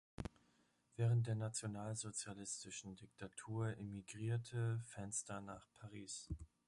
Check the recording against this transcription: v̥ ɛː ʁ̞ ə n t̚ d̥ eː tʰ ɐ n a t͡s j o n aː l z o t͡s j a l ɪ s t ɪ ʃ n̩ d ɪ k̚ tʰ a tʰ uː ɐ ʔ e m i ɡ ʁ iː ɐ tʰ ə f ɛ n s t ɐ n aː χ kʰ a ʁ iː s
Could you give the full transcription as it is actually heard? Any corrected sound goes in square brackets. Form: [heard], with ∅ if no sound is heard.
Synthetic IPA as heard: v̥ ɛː ʁ̞ ə n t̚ d̥ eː [∅] ɐ n a t͡s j o n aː l z o t͡s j a l ɪ s t ɪ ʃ n̩ d ɪ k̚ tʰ a tʰ uː ɐ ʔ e m i ɡ ʁ iː ɐ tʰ ə f ɛ n s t ɐ n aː χ [pʰ] a ʁ iː s